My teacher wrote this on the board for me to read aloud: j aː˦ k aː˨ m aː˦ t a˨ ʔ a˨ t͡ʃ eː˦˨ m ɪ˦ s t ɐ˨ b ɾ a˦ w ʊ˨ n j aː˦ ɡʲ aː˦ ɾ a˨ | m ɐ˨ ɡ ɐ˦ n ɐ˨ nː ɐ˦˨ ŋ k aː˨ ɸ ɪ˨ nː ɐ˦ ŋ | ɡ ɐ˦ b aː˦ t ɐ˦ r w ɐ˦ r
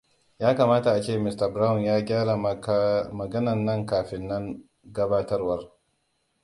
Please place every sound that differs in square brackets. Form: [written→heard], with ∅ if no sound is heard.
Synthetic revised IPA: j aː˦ k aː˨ m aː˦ t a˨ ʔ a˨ t͡ʃ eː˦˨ m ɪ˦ s t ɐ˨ b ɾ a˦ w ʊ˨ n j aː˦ ɡʲ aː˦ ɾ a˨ | m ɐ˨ ɡ ɐ˦ n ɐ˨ nː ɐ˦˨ ŋ k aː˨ ɸ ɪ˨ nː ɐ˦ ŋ | ɡ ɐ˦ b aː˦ t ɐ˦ r w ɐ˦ r